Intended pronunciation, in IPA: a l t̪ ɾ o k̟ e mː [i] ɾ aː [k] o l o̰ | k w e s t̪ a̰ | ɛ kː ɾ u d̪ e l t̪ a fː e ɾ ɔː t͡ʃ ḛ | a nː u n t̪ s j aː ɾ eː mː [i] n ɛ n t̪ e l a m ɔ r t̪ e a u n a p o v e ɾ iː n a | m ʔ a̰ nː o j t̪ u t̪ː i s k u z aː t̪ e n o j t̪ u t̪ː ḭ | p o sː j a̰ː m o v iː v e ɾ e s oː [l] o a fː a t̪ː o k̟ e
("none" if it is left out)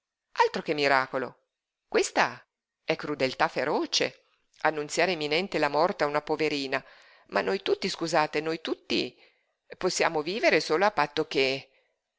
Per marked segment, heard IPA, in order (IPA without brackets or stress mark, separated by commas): i, k, i, l